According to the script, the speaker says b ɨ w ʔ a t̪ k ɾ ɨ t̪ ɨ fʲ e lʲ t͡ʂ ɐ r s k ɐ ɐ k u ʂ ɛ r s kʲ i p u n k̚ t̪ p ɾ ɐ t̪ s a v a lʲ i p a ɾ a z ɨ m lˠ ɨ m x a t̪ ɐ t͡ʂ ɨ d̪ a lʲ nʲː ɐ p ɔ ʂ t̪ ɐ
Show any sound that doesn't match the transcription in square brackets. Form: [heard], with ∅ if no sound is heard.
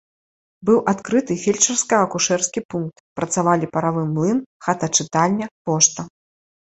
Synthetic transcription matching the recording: b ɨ w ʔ a t̪ k ɾ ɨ t̪ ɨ fʲ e lʲ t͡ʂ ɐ r s k ɐ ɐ k u ʂ ɛ r s kʲ i p u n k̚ t̪ p ɾ ɐ t̪ s a v a lʲ i p [ɐ] ɾ a [v] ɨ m lˠ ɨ [n] x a t̪ ɐ t͡ʂ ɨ [t̪] a lʲ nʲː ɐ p ɔ ʂ t̪ ɐ